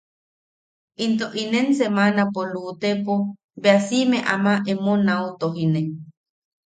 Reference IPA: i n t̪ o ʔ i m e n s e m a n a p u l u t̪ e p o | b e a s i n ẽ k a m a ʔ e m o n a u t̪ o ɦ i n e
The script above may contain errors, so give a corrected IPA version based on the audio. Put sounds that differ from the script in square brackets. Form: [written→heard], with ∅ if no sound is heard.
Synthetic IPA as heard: i n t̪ o ʔ i [m→n] e n s e m a n a p [u→o] l u t̪ e p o | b e a s i [n→m] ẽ [k→ʔ] a m a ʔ e m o n a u t̪ o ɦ i n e

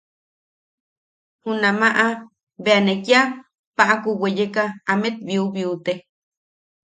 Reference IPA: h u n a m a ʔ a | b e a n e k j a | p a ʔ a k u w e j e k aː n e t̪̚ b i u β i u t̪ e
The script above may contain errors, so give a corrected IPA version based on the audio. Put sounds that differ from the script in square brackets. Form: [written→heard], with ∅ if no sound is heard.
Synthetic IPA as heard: h u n a m a ʔ a | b e a n e k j a | p a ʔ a k u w e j e k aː [n→m] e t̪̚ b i u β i u t̪ e

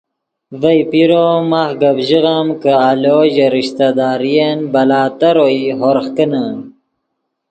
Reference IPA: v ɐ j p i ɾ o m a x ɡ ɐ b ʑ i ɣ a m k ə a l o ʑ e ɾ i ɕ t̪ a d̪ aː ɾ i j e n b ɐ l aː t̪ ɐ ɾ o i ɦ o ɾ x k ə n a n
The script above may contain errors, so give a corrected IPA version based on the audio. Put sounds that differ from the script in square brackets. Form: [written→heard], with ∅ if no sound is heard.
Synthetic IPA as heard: v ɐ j p i ɾ o m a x ɡ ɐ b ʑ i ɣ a m k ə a l o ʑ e ɾ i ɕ t̪ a d̪ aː ɾ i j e n b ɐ l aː t̪ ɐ ɾ o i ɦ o ɾ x k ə n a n

